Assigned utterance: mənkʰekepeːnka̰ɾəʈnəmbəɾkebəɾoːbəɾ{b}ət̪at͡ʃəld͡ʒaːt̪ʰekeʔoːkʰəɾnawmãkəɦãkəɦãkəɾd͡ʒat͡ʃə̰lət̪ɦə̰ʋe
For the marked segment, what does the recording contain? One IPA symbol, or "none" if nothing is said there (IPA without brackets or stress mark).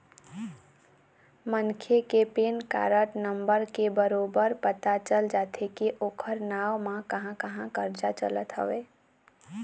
p